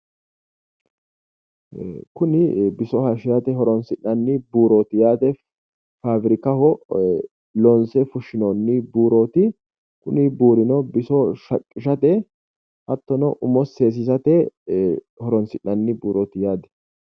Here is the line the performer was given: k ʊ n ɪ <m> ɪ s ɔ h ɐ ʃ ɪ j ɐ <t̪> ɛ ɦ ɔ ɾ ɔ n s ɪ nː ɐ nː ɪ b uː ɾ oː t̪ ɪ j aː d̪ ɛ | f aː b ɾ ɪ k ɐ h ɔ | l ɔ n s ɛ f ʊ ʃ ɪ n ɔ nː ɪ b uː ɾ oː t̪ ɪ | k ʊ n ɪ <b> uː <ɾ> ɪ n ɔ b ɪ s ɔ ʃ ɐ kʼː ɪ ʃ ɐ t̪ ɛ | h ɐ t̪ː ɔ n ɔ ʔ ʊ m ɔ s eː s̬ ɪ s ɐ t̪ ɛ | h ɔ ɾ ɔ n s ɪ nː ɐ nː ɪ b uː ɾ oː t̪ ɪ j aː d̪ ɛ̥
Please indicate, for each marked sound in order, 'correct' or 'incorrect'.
incorrect: b, correct, correct, correct

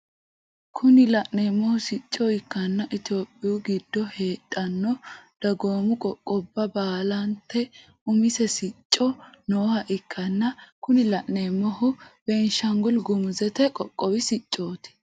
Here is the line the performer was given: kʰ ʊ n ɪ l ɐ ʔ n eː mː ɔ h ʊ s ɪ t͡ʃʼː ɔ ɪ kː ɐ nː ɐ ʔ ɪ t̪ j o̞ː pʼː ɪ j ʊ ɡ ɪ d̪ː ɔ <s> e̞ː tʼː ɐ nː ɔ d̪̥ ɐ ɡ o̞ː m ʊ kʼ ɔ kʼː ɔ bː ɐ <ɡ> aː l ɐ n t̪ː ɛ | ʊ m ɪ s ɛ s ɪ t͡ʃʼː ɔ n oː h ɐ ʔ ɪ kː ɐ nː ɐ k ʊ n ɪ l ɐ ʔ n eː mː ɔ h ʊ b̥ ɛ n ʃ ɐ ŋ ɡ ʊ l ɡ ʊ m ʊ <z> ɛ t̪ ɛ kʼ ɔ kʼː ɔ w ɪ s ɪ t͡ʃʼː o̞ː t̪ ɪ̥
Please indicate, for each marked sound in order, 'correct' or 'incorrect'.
incorrect: h, incorrect: b, correct

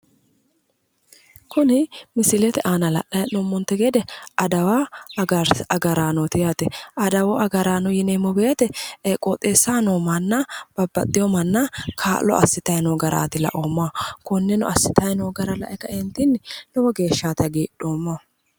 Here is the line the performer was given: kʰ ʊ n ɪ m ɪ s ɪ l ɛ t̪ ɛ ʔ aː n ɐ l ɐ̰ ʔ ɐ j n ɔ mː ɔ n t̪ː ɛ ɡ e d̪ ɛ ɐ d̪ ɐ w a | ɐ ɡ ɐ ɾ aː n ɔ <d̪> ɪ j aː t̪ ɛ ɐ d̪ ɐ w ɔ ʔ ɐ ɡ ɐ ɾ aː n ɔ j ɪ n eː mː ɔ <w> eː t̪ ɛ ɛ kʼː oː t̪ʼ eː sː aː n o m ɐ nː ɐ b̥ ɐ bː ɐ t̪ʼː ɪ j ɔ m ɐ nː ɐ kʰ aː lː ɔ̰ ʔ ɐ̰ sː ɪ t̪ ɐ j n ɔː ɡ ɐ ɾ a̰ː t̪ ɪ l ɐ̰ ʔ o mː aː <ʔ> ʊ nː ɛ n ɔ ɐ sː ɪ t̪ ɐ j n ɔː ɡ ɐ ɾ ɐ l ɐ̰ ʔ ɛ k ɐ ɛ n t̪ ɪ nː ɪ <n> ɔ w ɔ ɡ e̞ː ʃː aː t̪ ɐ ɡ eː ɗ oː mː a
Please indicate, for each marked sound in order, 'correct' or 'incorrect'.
incorrect: t̪, incorrect: b, incorrect: k, correct

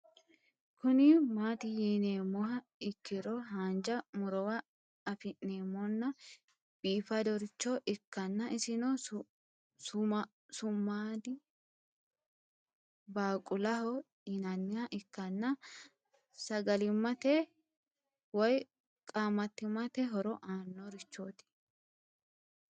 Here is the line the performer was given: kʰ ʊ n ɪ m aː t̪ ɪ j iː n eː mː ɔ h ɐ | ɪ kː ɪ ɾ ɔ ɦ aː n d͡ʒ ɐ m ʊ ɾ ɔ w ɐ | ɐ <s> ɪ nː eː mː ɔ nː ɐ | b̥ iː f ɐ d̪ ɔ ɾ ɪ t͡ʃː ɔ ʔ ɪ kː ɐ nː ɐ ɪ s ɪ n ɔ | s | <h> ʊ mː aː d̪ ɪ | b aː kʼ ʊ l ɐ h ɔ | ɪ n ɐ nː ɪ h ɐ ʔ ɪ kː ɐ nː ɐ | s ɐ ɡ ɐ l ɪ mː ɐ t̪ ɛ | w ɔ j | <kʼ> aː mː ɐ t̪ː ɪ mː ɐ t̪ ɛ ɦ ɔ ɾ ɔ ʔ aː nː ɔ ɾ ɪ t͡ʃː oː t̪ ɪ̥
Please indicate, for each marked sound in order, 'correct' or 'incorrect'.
incorrect: f, incorrect: s, correct

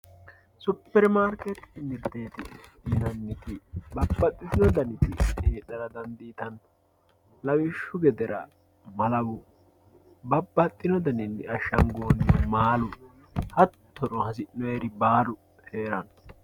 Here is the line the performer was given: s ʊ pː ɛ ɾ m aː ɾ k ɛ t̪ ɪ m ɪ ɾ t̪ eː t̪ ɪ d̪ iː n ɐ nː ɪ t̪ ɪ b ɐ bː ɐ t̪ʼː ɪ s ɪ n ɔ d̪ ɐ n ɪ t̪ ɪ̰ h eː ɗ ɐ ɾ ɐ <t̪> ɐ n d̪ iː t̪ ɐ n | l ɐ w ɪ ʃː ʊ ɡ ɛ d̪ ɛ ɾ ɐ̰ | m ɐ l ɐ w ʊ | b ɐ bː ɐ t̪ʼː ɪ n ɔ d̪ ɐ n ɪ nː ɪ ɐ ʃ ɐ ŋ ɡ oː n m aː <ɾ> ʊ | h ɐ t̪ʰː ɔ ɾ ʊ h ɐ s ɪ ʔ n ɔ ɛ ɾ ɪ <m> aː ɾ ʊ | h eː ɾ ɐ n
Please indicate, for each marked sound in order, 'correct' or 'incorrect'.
incorrect: d̪, incorrect: l, incorrect: b

